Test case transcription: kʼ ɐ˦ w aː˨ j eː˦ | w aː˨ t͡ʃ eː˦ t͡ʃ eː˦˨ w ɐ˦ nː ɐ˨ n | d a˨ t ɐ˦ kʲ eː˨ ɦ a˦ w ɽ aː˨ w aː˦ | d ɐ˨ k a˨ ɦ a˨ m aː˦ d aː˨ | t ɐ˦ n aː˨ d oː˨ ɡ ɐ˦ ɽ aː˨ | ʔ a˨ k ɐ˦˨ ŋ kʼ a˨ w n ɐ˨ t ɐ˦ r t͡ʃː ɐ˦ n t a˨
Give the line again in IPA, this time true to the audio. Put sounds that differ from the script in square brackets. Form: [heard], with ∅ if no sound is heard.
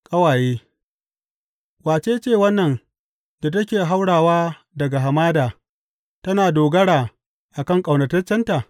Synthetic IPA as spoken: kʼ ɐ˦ w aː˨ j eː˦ | w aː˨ t͡ʃ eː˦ t͡ʃ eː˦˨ w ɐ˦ nː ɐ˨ n | d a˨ t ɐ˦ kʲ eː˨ ɦ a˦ w ɽ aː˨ w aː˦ | d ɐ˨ [ɡ] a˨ ɦ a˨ m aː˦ d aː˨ | t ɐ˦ n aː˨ d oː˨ ɡ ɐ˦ ɽ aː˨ | ʔ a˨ k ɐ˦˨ ŋ kʼ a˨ w n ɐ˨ t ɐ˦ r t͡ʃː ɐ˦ n t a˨

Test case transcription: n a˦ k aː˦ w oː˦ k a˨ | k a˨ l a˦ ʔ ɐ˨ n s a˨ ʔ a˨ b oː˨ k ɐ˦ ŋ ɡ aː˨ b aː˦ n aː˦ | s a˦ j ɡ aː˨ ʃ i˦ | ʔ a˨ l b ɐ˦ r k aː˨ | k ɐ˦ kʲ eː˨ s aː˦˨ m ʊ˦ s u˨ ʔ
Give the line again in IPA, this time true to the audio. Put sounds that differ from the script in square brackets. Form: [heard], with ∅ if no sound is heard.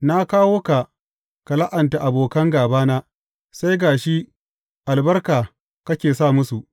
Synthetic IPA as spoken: n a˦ k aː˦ w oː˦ k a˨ | k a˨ l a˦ ʔ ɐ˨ n [t] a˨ ʔ a˨ b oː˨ k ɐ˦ ŋ ɡ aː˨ b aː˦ n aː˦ | s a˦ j ɡ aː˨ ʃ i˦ | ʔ a˨ l b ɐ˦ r k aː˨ | k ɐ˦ kʲ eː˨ s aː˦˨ m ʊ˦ s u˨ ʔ

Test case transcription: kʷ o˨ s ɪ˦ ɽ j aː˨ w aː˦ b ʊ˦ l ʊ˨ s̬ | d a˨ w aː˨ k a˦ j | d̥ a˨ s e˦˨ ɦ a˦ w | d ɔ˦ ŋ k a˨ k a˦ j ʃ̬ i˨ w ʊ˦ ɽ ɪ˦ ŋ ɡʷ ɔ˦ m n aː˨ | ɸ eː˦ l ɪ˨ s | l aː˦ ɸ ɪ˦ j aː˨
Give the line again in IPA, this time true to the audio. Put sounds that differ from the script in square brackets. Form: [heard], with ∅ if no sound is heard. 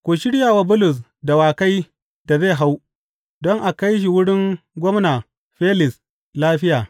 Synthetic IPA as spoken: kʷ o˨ [ʃ] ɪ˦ ɽ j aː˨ w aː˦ b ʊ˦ l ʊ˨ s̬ | d a˨ w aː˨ k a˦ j | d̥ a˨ [z] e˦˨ ɦ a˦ w | d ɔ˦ ŋ [ʔ] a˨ k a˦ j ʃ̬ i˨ w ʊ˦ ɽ ɪ˦ ŋ ɡʷ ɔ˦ m n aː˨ | ɸ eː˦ l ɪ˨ s | l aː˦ ɸ ɪ˦ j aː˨

